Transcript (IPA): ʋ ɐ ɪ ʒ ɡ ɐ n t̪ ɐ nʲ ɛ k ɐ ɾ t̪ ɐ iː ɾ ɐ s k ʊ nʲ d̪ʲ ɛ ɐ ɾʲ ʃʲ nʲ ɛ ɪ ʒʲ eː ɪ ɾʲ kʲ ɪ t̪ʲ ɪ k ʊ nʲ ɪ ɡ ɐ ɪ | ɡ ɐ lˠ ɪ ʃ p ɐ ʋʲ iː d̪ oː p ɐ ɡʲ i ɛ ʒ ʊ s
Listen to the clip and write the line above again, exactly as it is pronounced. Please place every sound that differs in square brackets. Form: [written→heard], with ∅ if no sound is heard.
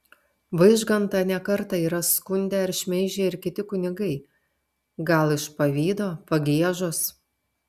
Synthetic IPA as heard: ʋ ɐ ɪ ʒ ɡ ɐ n t̪ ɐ nʲ ɛ k ɐ ɾ t̪ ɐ iː ɾ ɐ s k ʊ nʲ d̪ʲ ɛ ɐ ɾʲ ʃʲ [nʲ→mʲ] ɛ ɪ ʒʲ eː ɪ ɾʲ kʲ ɪ t̪ʲ ɪ k ʊ nʲ ɪ ɡ ɐ ɪ | ɡ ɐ lˠ ɪ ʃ p ɐ ʋʲ iː d̪ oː p ɐ ɡʲ i ɛ ʒ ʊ s